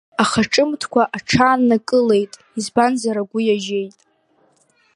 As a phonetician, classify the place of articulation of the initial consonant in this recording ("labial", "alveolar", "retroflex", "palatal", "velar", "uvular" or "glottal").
uvular